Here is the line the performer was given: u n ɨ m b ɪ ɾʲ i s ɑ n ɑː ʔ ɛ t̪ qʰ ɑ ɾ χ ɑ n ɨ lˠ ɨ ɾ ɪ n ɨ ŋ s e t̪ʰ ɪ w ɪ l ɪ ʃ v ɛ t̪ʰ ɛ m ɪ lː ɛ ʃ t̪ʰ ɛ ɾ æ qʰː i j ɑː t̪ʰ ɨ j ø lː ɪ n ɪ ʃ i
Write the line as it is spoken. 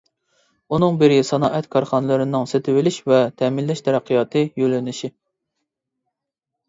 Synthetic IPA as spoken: u n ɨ ŋ b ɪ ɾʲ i s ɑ n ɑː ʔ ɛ t̪ kʰ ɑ ɾ χ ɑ n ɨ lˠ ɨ ɾ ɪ n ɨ ŋ s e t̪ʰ ɪ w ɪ l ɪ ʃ v ɛ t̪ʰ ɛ m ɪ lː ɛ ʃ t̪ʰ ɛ ɾ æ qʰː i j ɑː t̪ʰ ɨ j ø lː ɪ n ɪ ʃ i

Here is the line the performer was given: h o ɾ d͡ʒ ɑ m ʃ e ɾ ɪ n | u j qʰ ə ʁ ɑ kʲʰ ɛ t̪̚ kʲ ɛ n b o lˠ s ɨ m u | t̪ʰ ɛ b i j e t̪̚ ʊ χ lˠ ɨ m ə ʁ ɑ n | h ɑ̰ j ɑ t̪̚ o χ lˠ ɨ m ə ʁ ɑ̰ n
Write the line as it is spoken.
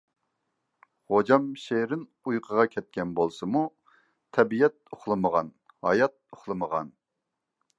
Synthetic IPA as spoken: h o d͡ʒ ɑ m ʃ e ɾ ɪ n | u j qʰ ə ʁ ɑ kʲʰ ɛ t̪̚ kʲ ɛ n b o lˠ s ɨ m u | t̪ʰ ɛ b i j ɛ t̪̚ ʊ χ lˠ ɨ m ə ʁ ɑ n | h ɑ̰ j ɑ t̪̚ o χ lˠ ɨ m ə ʁ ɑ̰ n

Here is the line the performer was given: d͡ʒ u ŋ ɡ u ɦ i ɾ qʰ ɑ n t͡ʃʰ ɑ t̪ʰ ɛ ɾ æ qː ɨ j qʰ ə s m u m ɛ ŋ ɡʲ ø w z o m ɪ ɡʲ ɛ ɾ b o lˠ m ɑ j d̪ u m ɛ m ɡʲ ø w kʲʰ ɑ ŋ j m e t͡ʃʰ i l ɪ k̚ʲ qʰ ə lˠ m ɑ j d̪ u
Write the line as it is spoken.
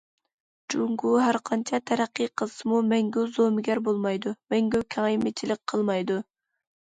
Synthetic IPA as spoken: d͡ʒ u ŋ ɡ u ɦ æ ɾ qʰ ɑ n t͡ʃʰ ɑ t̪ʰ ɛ ɾ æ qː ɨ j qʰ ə s m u m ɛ ŋ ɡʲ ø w z o m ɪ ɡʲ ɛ ɾ b o lˠ m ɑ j d̪ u m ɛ ŋ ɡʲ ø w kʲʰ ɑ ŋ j m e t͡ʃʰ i l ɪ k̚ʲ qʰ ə lˠ m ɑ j d̪ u

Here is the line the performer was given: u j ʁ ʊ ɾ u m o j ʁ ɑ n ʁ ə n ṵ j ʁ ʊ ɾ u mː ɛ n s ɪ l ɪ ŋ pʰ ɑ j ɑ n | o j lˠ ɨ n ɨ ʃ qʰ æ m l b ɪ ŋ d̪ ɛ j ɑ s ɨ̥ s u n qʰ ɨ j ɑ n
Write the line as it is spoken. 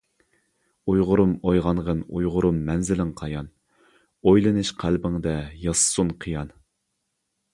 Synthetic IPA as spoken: u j ʁ ʊ ɾ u m o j ʁ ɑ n ʁ ə n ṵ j ʁ ʊ ɾ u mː ɛ n z ɪ l ɪ ŋ qʰ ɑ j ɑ n | o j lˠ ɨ n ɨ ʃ qʰ æ l b ɪ ŋ d̪ ɛ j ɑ s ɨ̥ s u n qʰ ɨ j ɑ n

